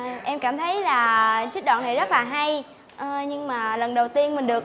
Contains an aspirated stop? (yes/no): yes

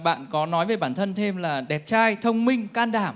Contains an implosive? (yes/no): yes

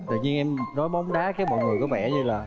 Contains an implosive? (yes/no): yes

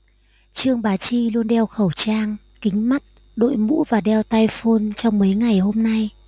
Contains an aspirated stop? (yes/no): no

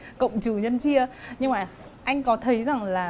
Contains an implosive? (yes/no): no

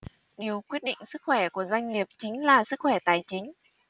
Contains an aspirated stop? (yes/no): no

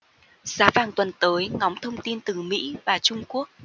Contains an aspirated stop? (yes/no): yes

